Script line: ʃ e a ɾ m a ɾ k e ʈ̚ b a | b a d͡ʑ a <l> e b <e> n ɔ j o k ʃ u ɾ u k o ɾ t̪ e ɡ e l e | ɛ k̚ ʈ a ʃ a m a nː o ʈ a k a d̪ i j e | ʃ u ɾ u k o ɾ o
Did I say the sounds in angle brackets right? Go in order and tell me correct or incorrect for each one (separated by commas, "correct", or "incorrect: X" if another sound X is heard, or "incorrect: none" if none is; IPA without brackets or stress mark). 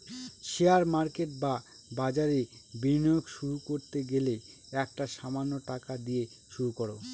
incorrect: ɾ, incorrect: i